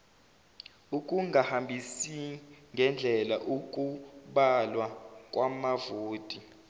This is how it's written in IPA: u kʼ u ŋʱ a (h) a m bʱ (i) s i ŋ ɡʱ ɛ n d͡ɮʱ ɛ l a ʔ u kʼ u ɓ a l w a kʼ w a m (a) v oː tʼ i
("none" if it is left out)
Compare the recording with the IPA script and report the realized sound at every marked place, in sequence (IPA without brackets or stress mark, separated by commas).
h, i, a